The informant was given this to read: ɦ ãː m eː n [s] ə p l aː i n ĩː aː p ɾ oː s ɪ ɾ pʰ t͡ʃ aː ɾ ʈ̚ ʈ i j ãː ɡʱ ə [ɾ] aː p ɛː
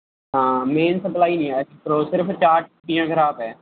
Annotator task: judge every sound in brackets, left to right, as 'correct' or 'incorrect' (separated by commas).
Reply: correct, correct